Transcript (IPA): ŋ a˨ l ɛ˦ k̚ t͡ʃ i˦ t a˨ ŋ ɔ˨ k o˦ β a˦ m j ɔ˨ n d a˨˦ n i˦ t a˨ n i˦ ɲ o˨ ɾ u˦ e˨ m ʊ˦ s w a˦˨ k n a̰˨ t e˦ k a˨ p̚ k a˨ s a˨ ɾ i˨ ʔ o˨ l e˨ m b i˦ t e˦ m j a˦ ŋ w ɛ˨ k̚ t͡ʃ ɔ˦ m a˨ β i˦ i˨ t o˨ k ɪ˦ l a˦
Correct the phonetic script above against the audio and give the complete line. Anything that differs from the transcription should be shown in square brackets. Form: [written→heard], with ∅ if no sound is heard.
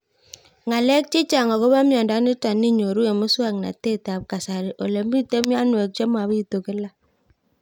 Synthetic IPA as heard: ŋ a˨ l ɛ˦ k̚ t͡ʃ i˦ [t→t͡ʃ] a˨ ŋ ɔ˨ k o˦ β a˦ m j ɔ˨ n d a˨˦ n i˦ t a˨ n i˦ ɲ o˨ ɾ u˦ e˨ m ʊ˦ s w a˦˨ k n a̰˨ t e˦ [k→t] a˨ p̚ k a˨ s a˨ ɾ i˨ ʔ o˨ l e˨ m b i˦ t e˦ m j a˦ [ŋ→n] w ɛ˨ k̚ t͡ʃ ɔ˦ m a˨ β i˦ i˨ t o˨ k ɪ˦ l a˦